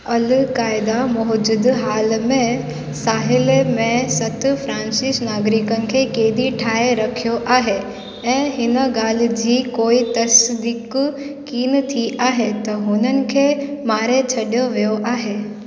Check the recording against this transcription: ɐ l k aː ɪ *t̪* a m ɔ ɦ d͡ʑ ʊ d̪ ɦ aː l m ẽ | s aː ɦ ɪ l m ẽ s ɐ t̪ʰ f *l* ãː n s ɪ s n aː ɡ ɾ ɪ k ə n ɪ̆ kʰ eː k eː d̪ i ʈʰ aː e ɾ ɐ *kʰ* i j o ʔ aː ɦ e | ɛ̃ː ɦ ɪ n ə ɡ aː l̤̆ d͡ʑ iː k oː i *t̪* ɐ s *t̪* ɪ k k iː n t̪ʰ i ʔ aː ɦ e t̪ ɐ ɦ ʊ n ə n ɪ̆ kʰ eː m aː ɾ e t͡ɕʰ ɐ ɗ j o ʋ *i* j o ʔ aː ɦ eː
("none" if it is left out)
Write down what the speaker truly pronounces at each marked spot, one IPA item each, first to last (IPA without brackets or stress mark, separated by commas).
d̪, ɾ, kʰ, t̪, d̪, i